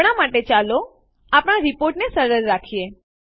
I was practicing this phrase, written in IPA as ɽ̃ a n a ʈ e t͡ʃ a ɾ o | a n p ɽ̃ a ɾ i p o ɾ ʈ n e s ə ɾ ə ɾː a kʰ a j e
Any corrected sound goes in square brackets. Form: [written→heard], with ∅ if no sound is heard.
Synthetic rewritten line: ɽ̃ a [n→m] a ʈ e t͡ʃ a [ɾ→l] o | a [n→∅] p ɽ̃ a ɾ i p o ɾ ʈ n e s ə ɾ ə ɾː a kʰ [a→i] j e